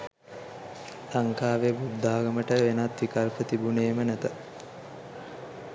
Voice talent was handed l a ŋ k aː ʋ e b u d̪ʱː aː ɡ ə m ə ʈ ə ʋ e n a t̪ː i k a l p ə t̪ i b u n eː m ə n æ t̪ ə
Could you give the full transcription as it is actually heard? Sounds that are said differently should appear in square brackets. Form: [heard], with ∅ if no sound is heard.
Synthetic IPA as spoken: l a ŋ k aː ʋ e b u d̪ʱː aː ɡ ə m ə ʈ ə ʋ e n a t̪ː i k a l p ə t̪ i b u n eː m ə n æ t̪ ə